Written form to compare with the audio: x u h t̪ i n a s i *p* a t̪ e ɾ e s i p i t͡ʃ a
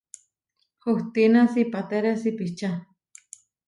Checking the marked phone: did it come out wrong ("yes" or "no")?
no